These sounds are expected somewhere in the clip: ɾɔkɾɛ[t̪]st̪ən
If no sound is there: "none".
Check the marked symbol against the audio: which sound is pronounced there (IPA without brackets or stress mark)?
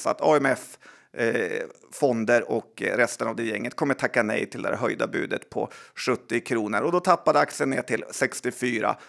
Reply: none